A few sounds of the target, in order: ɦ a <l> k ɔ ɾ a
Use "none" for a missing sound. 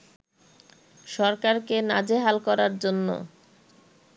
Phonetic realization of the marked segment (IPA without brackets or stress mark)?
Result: l